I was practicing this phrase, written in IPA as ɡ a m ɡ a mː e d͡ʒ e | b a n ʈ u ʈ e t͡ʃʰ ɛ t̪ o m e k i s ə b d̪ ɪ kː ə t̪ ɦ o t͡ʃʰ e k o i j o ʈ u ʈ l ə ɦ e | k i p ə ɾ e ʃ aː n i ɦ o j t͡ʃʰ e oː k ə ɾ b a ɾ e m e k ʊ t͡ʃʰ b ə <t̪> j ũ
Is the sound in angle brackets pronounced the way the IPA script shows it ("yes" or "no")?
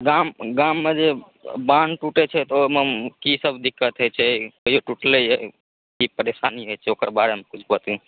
yes